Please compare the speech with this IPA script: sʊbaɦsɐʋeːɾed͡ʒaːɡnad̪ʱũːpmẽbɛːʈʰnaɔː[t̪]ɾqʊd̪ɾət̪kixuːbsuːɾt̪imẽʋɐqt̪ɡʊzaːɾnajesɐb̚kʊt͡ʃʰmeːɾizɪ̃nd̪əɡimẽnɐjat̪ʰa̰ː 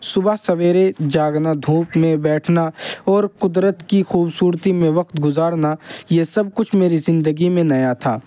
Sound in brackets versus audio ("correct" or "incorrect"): incorrect